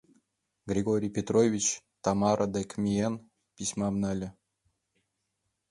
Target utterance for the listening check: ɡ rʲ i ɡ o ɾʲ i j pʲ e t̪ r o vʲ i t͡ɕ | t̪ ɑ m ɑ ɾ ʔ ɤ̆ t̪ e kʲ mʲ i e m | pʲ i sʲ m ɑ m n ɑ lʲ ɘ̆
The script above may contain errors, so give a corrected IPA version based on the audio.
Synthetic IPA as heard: ɡ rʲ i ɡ o ɾʲ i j pʲ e t̪ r o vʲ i t͡ɕ | t̪ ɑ m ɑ ɾ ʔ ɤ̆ d̪ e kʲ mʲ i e n | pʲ i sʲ m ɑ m n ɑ lʲ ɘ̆